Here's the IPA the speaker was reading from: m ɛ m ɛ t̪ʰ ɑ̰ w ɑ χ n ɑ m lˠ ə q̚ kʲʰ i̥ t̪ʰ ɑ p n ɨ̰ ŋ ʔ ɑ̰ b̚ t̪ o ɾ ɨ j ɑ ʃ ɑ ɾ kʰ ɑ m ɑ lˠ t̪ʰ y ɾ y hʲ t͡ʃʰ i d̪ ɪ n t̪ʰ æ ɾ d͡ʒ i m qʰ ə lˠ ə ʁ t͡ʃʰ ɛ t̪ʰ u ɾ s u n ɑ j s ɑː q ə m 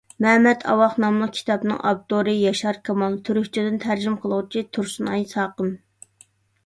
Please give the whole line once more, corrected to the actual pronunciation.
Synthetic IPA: m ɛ m ɛ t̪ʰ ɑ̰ w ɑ χ n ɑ m lˠ ə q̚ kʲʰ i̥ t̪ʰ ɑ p n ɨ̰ ŋ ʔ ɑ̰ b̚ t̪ o ɾ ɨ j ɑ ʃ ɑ ɾ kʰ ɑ m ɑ lˠ t̪ʰ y ɾ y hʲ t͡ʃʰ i d̪ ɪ n t̪ʰ æ ɾ d͡ʒ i m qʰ ə lˠ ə ʁ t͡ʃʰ i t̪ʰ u ɾ s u n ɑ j s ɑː q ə m